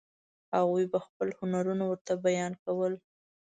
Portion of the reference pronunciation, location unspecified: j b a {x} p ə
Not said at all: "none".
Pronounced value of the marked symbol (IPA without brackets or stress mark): x